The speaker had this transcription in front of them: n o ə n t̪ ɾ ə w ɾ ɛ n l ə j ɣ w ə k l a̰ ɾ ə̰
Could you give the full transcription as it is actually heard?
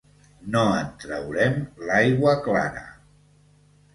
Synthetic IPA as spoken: n o ə n t̪ ɾ ə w ɾ ɛ m l a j ɣ w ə k l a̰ ɾ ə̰